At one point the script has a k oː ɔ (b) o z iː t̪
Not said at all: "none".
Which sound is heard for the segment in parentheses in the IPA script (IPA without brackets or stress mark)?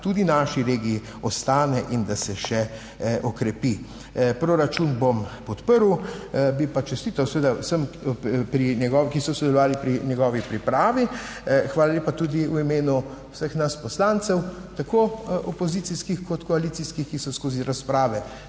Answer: p